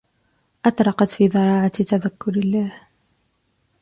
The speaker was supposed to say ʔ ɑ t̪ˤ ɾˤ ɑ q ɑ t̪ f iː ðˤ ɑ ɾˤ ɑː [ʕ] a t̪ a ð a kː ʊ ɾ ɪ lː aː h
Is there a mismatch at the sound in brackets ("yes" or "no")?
no